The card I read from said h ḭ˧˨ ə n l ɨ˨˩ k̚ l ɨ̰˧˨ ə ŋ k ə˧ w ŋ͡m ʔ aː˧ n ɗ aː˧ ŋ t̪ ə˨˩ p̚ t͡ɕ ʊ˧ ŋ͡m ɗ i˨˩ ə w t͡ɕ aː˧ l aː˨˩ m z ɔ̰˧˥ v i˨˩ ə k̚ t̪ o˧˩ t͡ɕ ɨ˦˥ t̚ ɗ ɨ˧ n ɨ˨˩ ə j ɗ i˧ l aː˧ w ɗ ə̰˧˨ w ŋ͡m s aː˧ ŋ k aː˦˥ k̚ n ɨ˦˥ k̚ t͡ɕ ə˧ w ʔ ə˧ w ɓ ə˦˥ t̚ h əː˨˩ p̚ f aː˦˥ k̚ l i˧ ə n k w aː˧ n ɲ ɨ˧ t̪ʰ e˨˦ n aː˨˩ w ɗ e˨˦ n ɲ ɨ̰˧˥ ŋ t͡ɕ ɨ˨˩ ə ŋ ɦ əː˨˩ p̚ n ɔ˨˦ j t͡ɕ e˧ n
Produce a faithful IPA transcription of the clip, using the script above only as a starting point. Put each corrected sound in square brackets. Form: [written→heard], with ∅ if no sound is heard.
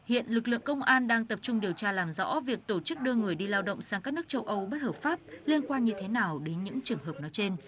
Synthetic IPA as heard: h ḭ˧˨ ə n l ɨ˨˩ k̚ l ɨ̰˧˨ ə ŋ k ə˧ w ŋ͡m ʔ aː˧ n ɗ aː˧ ŋ t̪ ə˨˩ p̚ t͡ɕ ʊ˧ ŋ͡m ɗ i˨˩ ə w t͡ɕ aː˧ l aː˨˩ m z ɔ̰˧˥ v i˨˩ ə k̚ t̪ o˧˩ t͡ɕ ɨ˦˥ [t̚→k̚] ɗ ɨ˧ [n→ŋ] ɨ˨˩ ə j ɗ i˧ l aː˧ w ɗ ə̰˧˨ w ŋ͡m s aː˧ ŋ k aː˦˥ k̚ n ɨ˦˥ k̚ t͡ɕ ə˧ w ʔ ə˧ w ɓ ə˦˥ t̚ h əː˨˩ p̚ f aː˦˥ [k̚→p̚] l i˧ ə n k w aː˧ n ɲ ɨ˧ t̪ʰ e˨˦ n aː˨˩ w ɗ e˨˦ n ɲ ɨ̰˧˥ ŋ t͡ɕ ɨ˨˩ ə ŋ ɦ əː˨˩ p̚ n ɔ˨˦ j t͡ɕ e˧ n